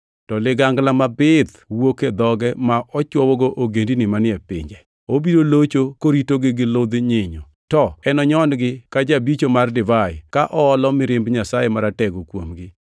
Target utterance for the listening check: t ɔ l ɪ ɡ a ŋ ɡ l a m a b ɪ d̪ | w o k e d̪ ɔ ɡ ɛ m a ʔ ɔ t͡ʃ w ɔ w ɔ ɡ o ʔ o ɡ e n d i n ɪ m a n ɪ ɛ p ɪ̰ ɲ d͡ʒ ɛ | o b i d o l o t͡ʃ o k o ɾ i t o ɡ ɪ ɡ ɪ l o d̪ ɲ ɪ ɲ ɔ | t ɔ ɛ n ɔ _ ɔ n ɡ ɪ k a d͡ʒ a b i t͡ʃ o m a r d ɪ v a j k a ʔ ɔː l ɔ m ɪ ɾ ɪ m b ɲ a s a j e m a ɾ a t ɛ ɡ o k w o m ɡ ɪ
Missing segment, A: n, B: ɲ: B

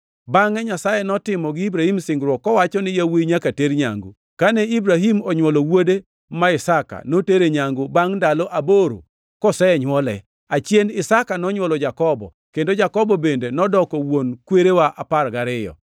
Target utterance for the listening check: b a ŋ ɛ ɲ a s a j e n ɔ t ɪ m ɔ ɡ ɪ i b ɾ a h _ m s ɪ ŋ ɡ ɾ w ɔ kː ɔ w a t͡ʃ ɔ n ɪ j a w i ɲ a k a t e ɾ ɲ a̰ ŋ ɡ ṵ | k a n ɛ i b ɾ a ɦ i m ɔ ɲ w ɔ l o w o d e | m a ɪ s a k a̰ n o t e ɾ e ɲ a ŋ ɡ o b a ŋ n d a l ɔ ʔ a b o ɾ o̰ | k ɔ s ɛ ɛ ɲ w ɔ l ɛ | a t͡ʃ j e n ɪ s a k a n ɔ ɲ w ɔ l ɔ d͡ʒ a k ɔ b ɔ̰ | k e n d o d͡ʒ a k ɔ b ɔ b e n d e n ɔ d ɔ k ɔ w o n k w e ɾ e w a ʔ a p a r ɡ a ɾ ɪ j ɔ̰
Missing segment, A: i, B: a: A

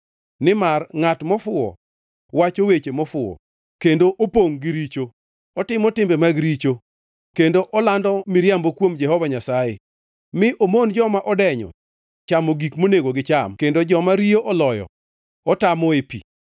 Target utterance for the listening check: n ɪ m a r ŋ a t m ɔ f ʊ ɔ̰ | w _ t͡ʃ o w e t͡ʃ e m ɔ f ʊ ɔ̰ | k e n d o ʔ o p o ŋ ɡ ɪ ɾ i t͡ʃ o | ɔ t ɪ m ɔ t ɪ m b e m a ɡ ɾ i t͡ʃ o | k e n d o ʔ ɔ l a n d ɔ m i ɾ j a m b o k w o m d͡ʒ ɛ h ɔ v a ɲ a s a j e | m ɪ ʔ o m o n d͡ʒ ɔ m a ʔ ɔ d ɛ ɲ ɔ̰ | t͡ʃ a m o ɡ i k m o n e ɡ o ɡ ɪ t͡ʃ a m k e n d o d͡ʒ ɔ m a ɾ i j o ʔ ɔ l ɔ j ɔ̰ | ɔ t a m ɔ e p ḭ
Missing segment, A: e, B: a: B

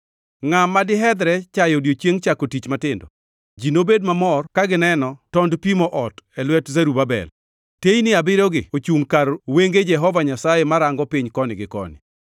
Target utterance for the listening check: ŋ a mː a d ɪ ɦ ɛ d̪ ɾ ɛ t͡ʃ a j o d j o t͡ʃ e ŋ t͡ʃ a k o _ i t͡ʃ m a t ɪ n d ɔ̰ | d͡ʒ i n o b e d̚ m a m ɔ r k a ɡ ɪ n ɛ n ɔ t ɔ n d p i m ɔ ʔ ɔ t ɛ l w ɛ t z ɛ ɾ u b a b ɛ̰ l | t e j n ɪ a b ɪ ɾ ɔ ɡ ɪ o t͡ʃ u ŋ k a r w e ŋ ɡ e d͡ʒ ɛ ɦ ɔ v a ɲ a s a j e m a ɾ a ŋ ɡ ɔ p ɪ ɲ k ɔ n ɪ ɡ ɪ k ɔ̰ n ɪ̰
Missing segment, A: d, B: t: B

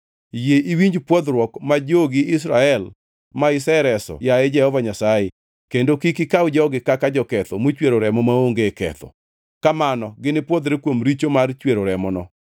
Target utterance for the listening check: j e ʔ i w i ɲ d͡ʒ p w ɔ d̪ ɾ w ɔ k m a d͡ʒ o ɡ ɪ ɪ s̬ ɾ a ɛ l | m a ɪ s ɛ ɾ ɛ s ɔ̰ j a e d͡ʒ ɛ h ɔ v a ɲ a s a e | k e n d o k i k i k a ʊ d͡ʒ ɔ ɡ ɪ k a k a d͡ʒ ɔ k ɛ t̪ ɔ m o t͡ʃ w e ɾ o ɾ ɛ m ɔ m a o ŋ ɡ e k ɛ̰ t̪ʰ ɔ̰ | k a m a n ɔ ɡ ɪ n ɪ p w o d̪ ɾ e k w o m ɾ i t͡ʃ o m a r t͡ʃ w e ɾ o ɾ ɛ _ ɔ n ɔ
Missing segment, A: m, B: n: A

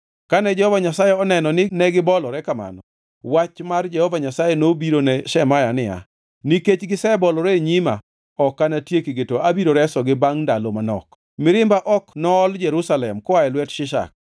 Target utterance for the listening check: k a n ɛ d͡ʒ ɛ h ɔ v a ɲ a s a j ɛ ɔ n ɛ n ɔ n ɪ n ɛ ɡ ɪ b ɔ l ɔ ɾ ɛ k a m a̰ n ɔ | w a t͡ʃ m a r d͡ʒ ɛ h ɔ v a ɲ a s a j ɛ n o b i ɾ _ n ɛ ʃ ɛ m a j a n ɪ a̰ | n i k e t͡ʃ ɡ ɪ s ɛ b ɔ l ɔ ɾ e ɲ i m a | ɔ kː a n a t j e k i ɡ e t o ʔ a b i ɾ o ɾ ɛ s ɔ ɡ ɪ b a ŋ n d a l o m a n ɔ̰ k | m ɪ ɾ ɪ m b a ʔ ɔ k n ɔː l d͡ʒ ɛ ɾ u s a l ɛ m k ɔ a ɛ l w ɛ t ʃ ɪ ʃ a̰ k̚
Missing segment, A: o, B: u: A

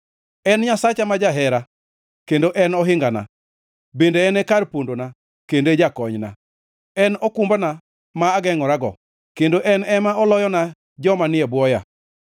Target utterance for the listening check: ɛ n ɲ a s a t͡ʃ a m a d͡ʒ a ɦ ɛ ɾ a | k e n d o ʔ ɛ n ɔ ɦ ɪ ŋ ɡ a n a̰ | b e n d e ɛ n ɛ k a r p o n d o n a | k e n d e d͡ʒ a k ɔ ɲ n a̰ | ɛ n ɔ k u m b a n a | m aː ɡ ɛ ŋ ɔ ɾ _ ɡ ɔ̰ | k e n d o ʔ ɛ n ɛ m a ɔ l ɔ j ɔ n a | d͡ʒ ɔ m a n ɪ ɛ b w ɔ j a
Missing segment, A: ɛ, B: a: B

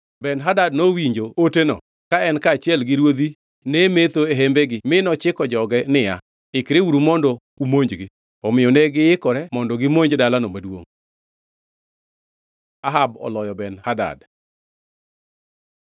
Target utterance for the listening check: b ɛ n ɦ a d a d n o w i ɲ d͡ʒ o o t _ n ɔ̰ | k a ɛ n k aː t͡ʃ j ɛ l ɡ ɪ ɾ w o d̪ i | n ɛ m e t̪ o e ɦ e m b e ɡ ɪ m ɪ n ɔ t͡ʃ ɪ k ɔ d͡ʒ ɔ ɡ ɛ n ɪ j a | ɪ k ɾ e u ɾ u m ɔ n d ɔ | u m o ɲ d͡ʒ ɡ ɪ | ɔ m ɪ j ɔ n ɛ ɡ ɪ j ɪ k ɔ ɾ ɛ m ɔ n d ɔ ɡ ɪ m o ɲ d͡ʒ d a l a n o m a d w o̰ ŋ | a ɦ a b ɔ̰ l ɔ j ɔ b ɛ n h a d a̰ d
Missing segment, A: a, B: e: B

